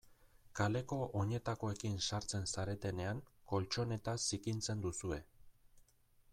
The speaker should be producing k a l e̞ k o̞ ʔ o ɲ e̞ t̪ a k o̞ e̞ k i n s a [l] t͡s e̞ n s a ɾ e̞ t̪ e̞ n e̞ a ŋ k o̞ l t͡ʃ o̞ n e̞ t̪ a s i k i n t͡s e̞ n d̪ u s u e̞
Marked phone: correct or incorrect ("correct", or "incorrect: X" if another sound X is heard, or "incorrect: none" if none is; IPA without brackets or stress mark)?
incorrect: ɾ